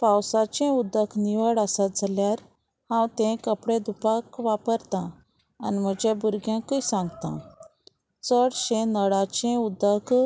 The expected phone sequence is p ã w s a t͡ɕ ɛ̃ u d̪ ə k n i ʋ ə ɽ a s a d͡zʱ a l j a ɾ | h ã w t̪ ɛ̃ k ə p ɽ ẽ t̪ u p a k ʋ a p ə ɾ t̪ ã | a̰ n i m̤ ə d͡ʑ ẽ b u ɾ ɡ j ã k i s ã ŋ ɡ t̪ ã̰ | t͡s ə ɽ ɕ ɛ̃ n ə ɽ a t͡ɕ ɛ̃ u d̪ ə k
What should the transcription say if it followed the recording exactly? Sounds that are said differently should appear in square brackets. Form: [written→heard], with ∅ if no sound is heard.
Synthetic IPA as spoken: p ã w s a t͡ɕ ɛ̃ u d̪ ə k n i ʋ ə ɽ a s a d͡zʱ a l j a ɾ | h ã w t̪ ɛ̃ k ə p ɽ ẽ [t̪→d̪] u p a k ʋ a p ə ɾ t̪ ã | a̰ n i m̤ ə d͡ʑ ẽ b u ɾ ɡ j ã k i s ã ŋ ɡ t̪ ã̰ | t͡s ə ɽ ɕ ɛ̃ n ə ɽ a t͡ɕ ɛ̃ u d̪ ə k